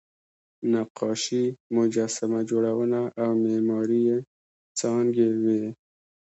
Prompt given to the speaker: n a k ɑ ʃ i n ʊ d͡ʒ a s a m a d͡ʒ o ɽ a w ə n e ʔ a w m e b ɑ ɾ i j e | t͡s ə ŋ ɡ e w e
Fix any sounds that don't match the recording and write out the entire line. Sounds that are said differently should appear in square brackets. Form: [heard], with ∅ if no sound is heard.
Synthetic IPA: n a [q] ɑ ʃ i [m] ʊ d͡ʒ a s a m a d͡ʒ o ɽ a w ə n [a] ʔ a w m e [m] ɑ ɾ i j e | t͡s [ɑ] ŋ ɡ e w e